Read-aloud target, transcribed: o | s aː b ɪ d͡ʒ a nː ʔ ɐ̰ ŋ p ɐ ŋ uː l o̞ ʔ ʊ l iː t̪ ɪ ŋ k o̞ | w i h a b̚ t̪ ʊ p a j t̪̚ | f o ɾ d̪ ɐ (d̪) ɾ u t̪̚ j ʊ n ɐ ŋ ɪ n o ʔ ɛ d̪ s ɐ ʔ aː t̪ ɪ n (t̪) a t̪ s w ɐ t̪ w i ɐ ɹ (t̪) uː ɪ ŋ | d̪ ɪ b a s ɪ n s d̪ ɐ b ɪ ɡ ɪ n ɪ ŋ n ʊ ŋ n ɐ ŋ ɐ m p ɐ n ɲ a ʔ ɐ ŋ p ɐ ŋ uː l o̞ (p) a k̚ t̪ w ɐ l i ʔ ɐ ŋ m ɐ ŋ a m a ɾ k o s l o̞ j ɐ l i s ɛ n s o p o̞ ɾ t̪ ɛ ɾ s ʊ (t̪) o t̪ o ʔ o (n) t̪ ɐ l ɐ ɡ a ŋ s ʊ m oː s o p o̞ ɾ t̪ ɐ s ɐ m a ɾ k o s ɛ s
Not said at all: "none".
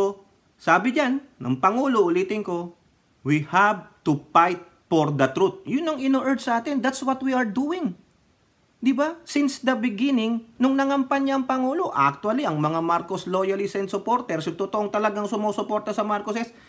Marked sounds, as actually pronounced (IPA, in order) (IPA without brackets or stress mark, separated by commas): t̪, d̪, d̪, ʔ, t̪, ŋ